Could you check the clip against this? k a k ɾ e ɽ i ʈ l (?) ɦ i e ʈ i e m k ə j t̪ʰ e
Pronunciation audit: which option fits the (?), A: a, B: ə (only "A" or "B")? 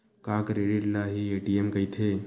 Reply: A